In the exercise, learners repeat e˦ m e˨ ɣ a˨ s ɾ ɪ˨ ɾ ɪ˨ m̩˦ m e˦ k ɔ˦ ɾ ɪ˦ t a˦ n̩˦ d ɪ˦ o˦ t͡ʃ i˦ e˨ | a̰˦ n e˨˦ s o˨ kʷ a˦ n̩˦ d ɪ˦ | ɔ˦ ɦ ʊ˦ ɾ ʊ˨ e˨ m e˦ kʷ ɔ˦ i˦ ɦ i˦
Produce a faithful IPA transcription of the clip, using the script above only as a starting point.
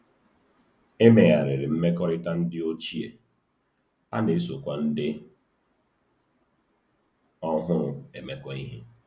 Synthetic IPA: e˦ m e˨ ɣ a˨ ɾ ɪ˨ ɾ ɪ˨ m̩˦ m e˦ k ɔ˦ ɾ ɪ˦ t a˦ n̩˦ d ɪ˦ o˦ t͡ʃ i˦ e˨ | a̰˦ n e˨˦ s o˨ kʷ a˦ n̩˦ d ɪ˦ | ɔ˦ ɦ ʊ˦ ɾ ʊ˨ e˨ m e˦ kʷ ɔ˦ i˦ ɦ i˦